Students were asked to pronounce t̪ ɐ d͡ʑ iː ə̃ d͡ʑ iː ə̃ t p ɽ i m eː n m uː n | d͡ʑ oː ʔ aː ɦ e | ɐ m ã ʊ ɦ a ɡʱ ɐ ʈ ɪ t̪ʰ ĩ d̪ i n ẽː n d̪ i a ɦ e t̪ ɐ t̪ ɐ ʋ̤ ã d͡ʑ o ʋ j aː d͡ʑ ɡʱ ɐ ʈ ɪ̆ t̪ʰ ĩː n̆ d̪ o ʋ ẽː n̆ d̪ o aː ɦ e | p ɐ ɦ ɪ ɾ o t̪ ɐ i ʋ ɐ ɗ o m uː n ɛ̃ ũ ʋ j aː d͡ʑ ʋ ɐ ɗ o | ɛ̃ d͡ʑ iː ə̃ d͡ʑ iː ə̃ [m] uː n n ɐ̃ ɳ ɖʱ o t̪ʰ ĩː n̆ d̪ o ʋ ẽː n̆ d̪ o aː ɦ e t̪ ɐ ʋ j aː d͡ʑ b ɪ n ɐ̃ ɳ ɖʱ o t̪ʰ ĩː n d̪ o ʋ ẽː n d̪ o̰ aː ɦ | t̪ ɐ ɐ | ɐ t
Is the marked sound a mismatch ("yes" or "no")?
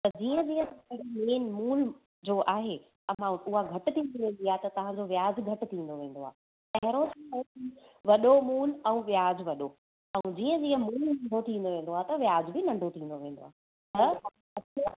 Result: no